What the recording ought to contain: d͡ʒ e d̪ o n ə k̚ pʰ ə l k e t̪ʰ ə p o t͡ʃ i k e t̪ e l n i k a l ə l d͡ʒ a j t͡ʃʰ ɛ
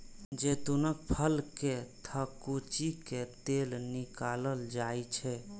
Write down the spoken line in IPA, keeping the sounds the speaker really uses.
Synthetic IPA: d͡ʒ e t̪ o n ə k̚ pʰ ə l k e t̪ʰ ə k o t͡ʃ i k e t̪ e l n i k a l ə l d͡ʒ a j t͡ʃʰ ɛ

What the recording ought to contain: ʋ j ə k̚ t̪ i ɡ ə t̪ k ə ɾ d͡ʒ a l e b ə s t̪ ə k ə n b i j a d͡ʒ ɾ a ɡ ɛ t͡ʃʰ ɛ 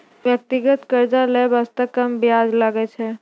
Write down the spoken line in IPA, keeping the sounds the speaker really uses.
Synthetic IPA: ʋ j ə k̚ t̪ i ɡ ə t̪ k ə ɾ d͡ʒ a l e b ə s t̪ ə k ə m b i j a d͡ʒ l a ɡ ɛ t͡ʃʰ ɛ

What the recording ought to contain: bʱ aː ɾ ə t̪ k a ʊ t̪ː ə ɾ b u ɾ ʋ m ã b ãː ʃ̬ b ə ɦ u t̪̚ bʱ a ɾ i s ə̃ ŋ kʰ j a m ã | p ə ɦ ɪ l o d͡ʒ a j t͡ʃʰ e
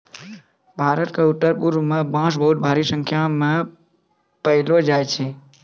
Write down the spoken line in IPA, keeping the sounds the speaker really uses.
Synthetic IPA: bʱ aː ɾ ə t̪ k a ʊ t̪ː ə ɾ p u ɾ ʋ m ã b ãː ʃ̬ b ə ɦ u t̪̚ bʱ a ɾ i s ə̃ ŋ kʰ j a m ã | p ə ɦ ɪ l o d͡ʒ a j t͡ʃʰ e

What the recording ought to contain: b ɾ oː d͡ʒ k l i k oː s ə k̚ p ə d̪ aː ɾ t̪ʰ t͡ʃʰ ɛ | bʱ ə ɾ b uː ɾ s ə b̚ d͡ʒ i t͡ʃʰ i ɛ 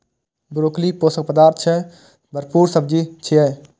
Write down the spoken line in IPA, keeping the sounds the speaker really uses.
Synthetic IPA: b ɾ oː k l i p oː s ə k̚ p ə d̪ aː ɾ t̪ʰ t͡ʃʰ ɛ | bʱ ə ɾ p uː ɾ s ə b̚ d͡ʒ i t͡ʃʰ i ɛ

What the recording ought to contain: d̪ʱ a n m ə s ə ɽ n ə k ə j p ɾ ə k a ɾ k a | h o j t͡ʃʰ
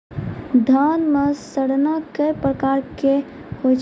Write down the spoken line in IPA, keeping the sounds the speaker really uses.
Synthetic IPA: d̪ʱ a n m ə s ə ɽ n a k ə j p ɾ ə k a ɾ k e | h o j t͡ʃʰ

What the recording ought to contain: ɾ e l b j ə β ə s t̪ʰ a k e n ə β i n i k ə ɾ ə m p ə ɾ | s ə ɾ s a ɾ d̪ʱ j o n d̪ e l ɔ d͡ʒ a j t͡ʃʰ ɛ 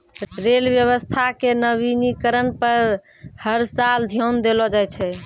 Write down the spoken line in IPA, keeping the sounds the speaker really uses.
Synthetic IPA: ɾ e l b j ə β ə s t̪ʰ a k e n ə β i n i k ə ɾ ə n p ə ɾ | h ə ɾ s a l d̪ʱ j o n d̪ e l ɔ d͡ʒ a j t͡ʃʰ ɛ

